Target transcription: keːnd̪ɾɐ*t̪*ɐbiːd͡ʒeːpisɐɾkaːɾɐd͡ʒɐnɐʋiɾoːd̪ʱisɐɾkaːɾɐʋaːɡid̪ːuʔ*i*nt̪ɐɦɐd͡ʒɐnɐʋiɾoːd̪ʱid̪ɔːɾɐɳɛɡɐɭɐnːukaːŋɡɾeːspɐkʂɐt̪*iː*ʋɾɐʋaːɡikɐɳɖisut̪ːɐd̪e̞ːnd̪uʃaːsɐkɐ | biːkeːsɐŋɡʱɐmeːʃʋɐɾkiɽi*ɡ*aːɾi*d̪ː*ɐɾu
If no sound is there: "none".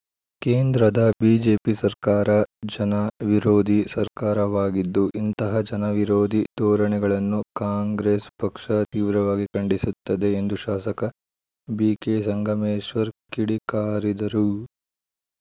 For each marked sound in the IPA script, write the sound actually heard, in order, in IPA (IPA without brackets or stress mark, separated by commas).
d̪, i, iː, k, d̪